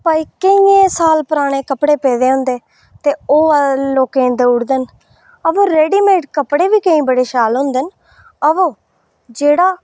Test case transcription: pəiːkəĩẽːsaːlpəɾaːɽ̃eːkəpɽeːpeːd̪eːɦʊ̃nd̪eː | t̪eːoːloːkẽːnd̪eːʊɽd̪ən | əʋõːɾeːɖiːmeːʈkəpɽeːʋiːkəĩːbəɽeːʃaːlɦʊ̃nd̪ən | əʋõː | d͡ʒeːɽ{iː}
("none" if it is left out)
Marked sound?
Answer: aː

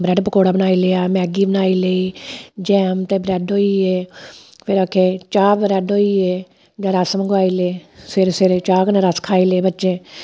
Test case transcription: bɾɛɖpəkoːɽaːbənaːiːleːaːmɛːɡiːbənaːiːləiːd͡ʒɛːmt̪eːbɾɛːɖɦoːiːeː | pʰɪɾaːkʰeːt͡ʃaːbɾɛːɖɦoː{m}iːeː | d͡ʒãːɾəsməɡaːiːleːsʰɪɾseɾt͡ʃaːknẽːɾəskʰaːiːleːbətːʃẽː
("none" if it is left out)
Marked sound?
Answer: none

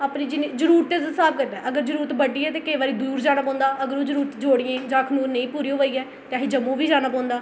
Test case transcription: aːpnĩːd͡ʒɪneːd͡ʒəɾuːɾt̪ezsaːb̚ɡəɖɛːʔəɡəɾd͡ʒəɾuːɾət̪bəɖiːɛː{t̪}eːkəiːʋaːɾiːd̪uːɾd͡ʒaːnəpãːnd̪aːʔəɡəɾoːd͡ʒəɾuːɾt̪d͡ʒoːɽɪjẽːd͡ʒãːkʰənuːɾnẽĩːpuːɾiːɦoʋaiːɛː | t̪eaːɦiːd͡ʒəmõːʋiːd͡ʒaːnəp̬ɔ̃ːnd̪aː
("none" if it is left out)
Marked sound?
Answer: t̪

